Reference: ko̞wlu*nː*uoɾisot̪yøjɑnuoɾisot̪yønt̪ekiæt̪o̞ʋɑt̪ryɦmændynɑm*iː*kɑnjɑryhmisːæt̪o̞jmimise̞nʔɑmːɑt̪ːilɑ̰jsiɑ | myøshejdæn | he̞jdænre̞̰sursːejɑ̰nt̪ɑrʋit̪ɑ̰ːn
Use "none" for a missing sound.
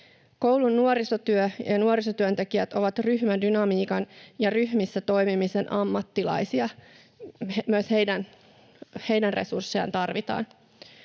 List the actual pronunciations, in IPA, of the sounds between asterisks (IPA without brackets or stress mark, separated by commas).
nː, iː